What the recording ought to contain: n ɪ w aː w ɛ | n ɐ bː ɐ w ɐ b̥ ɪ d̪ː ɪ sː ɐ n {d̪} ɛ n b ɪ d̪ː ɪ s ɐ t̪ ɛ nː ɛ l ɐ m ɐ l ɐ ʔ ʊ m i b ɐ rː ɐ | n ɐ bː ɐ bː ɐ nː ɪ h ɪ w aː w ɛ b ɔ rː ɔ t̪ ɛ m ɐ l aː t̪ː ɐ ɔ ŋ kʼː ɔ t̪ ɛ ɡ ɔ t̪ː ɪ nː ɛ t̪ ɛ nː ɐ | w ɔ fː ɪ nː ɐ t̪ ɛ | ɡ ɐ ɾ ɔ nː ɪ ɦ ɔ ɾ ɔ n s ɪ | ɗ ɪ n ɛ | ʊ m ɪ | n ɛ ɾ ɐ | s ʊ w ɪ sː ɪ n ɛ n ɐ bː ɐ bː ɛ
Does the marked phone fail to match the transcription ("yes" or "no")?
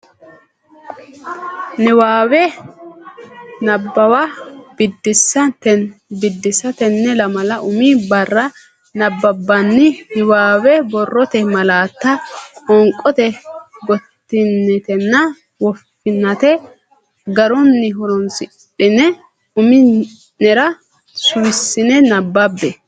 yes